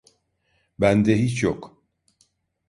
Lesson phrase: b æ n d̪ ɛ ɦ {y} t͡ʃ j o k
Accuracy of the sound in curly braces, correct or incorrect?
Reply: incorrect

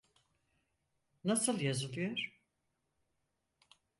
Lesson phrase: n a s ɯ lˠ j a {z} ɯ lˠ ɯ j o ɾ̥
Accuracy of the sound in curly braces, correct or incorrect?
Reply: correct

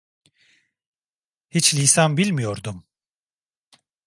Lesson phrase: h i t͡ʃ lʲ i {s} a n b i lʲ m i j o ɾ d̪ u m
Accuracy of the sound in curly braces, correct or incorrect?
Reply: correct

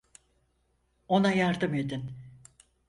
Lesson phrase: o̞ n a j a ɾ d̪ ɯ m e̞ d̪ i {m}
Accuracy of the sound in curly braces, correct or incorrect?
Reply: incorrect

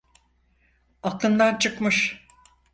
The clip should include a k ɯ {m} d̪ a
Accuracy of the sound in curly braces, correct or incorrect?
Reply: incorrect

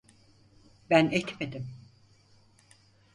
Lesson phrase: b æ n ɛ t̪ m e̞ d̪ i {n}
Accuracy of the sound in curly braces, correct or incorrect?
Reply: incorrect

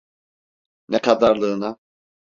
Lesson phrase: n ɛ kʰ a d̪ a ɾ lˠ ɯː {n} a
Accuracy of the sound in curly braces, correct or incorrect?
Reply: correct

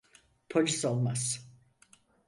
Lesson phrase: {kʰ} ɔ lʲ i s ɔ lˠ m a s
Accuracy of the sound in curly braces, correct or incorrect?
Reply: incorrect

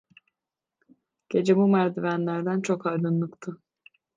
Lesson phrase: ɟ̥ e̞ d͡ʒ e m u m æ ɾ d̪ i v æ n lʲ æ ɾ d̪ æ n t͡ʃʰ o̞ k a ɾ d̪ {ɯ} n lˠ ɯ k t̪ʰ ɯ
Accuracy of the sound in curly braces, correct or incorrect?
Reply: correct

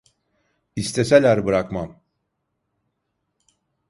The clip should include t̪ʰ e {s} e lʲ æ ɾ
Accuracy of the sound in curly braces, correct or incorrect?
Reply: correct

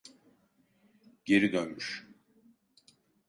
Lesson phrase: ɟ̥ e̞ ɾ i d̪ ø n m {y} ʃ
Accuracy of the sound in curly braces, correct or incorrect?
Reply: correct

